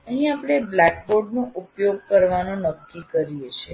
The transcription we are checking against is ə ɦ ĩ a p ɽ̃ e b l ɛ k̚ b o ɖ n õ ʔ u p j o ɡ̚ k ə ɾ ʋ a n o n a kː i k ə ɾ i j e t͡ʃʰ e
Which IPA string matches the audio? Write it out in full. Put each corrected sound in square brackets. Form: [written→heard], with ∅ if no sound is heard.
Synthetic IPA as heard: ə ɦ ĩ a p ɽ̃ e b l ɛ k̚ b o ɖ n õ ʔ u p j o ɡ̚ k ə ɾ ʋ a n o n [a→ə] kː i k ə ɾ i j e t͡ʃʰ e

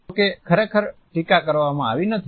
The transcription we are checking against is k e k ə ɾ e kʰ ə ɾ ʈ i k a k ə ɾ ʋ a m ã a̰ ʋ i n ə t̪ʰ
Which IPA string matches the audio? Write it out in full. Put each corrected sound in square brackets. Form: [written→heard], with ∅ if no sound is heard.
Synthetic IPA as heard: k e [k→kʰ] ə ɾ e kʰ ə ɾ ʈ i k a k ə ɾ ʋ a m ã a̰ ʋ i n ə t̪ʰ

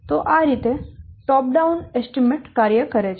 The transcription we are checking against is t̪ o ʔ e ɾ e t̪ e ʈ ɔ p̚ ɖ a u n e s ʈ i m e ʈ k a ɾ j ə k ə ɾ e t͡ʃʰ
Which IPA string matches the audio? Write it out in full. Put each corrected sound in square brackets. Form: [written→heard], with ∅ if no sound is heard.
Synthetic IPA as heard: t̪ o ʔ [e→a] ɾ [e→i] t̪ e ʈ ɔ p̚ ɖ a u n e s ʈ i m e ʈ k a ɾ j ə k ə ɾ e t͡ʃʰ

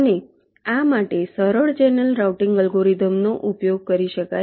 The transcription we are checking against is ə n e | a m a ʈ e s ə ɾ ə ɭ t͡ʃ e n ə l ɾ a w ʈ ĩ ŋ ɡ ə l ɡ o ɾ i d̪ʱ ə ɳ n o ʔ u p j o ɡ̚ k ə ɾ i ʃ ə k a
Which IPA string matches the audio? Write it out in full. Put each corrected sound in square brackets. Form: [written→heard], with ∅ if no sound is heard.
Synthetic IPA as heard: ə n e | a m a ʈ e s ə ɾ ə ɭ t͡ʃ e n ə l ɾ a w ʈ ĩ ŋ ɡ ə l ɡ o ɾ i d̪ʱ ə [ɳ→m] n o ʔ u p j o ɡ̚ k ə ɾ i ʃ ə k a

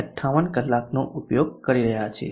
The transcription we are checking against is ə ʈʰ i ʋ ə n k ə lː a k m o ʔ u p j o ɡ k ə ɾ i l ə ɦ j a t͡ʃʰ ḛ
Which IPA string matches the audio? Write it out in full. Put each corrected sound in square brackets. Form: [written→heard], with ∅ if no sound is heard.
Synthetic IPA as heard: ə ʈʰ [i→a] ʋ ə n k ə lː a k [m→n] o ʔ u p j o ɡ k ə ɾ i [l→ɾ] ə ɦ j a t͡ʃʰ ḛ

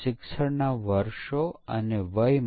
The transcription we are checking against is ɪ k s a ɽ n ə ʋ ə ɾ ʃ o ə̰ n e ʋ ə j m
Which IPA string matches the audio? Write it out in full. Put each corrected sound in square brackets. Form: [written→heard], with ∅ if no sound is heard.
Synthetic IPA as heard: ɪ k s [a→ə] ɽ n [ə→a] ʋ ə ɾ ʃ o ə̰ n e ʋ ə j m

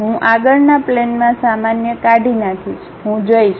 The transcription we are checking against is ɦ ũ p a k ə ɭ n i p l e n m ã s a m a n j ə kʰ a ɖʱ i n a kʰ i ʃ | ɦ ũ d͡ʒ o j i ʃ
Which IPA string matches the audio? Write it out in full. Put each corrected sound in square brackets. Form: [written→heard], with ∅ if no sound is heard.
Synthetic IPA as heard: ɦ ũ [p→ʔ] a [k→ɡ] ə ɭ n [i→a] p l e n m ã s a m a n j ə [kʰ→k] a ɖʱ i n a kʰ i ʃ | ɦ ũ d͡ʒ o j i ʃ

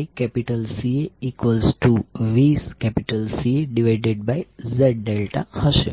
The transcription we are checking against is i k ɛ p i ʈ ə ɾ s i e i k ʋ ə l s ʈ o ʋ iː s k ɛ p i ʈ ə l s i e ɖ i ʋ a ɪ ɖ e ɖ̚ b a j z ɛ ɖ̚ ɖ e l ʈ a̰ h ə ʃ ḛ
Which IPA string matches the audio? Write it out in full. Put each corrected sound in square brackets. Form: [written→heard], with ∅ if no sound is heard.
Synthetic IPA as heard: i k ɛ p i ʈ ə [ɾ→l] s i e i k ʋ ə l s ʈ [o→u] ʋ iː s k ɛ p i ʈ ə l s i e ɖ i ʋ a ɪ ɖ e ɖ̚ b a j z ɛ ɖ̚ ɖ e l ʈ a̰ h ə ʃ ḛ

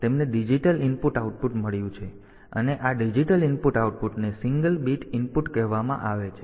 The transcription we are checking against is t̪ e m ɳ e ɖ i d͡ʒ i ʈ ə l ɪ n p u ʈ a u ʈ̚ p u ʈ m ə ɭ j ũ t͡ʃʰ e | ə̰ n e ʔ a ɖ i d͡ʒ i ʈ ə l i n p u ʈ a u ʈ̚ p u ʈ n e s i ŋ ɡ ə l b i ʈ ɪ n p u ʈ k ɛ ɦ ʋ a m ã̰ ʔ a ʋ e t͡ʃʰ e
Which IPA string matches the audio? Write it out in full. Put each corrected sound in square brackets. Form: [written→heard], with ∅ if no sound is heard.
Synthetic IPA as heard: t̪ e m [ɳ→n] e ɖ i d͡ʒ i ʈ ə l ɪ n p u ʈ a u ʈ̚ p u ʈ m ə ɭ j ũ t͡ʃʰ e | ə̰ n e ʔ a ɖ i d͡ʒ i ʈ ə l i n p u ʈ a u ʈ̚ p u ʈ n e s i ŋ ɡ ə l b i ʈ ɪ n p u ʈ k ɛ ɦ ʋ a m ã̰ ʔ a ʋ e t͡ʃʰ e

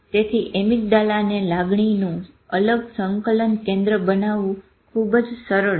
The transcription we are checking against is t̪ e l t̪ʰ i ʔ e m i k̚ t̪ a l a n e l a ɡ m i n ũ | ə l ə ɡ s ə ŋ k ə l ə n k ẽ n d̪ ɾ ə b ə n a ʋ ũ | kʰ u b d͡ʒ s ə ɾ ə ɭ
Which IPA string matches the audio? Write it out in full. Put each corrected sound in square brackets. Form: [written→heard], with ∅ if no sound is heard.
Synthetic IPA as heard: t̪ e [l→∅] t̪ʰ i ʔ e m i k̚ [t̪→d̪] a l a n e l a ɡ [m→ɳ] i n ũ | ə l ə ɡ s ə ŋ k ə l ə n k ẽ n d̪ ɾ ə b ə n a ʋ ũ | kʰ u b d͡ʒ s ə ɾ ə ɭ

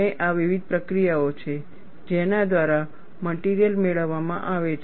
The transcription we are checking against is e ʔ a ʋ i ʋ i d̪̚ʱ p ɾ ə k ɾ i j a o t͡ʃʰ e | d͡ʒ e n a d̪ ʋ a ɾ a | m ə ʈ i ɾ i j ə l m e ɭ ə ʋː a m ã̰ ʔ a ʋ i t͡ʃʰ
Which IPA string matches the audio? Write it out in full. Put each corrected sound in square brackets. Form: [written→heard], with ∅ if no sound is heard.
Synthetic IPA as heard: e ʔ a ʋ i ʋ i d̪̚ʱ p ɾ ə k ɾ i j a o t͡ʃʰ e | d͡ʒ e n a d̪ ʋ a ɾ a | m ə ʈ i ɾ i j ə l m e ɭ ə ʋː a m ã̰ ʔ a ʋ [i→e] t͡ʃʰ

